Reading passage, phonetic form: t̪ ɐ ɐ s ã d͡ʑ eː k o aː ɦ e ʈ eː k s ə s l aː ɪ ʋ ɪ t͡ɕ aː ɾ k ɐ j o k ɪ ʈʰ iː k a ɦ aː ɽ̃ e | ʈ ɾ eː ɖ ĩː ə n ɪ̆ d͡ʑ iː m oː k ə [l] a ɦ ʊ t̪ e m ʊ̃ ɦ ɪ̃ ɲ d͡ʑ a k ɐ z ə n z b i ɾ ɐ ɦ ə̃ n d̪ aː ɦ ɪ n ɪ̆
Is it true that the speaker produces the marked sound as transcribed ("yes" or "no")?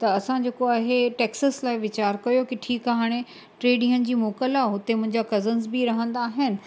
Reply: yes